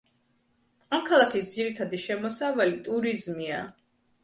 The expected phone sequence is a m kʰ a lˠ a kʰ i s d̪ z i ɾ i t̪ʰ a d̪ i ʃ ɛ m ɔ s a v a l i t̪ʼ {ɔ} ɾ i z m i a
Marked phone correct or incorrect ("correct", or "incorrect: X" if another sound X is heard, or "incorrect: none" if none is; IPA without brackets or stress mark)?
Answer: incorrect: u